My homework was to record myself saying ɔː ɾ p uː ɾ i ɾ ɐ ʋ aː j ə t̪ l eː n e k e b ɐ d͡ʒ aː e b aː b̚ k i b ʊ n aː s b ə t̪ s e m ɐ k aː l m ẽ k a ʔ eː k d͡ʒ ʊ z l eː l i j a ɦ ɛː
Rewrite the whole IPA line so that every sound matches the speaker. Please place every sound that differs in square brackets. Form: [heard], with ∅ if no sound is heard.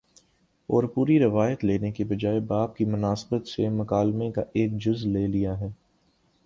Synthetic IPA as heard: ɔː ɾ p uː ɾ i ɾ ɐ ʋ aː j ə t̪ l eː n e k e b ɐ d͡ʒ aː e b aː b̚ k i [m] ʊ n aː s b ə t̪ s e m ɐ k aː l m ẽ k a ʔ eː k d͡ʒ ʊ z l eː l i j a ɦ ɛː